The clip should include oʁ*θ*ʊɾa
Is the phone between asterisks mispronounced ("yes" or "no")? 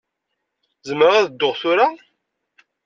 no